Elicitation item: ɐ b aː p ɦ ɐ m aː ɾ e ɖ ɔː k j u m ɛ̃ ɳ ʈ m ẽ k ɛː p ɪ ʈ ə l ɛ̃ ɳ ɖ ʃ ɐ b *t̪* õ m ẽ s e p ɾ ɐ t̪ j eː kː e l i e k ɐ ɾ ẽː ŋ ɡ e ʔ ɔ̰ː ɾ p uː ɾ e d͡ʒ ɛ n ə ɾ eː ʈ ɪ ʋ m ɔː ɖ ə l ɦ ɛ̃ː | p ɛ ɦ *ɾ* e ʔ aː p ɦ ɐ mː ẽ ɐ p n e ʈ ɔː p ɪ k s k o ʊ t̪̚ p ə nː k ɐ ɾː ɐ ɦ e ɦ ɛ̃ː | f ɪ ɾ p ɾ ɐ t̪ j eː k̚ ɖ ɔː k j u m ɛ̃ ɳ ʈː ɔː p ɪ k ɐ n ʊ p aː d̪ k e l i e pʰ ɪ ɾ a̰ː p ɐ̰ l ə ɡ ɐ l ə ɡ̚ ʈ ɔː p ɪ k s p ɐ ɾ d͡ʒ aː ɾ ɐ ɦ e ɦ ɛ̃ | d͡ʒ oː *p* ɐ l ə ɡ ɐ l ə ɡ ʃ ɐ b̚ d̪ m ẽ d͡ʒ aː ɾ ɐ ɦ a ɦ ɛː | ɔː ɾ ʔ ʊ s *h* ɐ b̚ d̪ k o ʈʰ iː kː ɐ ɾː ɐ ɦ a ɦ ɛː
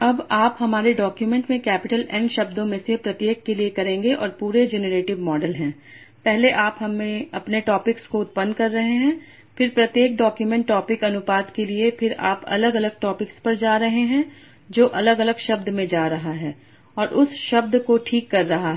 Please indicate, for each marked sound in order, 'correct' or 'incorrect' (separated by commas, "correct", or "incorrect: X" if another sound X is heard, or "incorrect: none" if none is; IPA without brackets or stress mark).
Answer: incorrect: d̪, incorrect: l, incorrect: ʔ, incorrect: ʃ